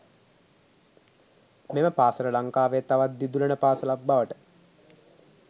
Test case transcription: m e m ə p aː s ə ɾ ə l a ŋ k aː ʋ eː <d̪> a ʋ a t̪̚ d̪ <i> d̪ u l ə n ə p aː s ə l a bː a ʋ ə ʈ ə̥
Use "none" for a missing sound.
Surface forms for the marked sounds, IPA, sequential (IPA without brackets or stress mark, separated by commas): t̪, i